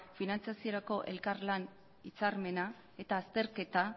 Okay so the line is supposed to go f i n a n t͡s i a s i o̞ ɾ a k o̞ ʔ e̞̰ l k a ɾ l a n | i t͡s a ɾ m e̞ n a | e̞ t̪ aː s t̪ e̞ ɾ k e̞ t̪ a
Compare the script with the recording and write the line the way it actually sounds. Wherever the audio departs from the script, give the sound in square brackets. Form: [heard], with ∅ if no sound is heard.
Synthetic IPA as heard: f i n a n t͡s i a s i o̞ ɾ a k o̞ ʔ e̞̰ l k a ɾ l a n | i t͡s a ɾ m e̞ n a | e̞ t̪ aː s t̪ e̞ ɾ k e̞ t̪ a